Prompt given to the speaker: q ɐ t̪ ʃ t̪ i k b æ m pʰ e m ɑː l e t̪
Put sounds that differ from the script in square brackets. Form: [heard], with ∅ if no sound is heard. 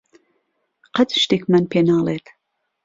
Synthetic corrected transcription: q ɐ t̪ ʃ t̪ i k [m] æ [n] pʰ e [n] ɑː l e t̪